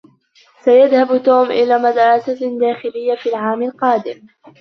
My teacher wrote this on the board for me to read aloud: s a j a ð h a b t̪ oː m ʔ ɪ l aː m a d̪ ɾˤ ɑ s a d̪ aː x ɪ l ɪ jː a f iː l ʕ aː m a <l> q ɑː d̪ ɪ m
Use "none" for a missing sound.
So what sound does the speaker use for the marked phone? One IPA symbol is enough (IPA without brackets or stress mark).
l